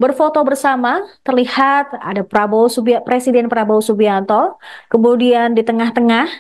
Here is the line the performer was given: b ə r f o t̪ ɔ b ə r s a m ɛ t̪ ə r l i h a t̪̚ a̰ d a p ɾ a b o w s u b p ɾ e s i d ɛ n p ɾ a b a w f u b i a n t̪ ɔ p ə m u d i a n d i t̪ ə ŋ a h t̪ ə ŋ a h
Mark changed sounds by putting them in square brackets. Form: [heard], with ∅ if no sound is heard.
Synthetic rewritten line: b ə r f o t̪ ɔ b ə r s a m [a] t̪ ə r l i h a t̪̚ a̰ d a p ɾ a b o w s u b p ɾ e s i d ɛ n p ɾ a b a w [s] u b i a n t̪ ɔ [k] ə m u d i a n d i t̪ ə ŋ a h t̪ ə ŋ a h